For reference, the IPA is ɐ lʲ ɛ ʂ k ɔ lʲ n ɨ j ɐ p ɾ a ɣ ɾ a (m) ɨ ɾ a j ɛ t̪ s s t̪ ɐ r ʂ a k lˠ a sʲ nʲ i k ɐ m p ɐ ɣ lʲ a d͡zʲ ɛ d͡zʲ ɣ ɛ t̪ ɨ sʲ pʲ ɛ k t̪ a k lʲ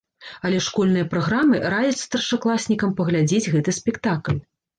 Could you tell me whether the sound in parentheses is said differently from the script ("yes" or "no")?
no